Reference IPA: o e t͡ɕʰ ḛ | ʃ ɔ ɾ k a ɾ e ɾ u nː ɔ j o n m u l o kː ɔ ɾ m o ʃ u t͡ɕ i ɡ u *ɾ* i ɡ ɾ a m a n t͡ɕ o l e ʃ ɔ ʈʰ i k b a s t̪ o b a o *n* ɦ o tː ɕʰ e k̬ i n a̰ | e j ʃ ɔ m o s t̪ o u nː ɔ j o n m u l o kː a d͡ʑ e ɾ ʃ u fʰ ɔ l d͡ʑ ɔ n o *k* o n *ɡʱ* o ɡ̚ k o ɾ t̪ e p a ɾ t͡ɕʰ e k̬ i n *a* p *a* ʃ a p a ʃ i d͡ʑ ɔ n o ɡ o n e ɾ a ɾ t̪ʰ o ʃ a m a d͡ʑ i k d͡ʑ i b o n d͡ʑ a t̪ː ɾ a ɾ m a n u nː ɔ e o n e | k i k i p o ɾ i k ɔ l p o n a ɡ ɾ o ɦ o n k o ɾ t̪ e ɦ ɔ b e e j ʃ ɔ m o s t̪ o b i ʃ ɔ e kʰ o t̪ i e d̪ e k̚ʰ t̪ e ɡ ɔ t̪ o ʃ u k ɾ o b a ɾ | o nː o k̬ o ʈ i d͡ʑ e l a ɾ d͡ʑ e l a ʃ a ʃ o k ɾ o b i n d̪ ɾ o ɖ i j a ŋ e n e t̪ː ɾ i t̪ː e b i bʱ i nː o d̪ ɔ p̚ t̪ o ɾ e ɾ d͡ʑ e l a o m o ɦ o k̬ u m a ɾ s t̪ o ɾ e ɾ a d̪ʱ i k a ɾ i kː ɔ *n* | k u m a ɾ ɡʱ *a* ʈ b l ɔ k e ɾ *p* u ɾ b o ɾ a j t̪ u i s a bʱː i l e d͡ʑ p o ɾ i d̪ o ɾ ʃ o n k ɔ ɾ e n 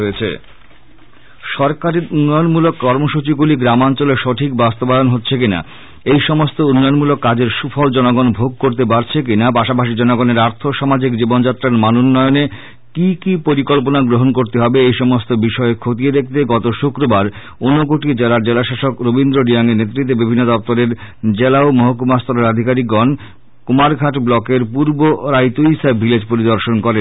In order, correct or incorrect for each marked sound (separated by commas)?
incorrect, correct, incorrect, incorrect, correct, correct, correct, correct, correct